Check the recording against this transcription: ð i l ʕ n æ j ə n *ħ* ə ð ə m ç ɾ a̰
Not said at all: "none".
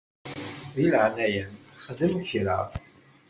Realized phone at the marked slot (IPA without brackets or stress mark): χ